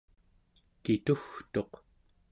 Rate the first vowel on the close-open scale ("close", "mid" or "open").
close